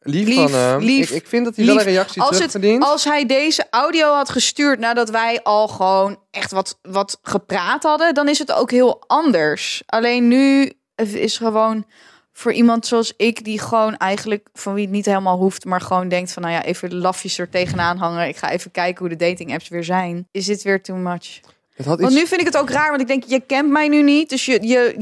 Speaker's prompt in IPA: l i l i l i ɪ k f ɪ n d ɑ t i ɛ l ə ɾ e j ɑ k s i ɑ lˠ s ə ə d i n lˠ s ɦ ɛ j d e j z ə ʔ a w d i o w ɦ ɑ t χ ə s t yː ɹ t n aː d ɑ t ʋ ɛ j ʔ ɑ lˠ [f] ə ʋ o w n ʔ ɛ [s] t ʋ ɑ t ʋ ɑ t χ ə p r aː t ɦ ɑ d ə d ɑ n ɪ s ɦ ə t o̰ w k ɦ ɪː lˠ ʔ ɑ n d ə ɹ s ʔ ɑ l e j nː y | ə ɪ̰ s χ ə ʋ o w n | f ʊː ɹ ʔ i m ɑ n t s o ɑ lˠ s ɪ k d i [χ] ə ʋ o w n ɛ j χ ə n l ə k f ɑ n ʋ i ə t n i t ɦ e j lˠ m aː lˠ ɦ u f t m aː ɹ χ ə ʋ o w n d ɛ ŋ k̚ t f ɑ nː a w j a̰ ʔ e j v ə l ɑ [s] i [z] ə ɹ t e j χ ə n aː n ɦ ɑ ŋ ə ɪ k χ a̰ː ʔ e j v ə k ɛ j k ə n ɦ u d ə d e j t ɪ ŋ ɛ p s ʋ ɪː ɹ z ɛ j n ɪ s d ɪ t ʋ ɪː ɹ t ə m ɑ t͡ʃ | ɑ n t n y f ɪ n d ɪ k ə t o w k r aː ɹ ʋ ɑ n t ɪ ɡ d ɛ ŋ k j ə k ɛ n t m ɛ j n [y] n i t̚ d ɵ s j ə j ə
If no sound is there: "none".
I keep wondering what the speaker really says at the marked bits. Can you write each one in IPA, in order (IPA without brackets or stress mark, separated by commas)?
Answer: χ, χ, χ, f, s, y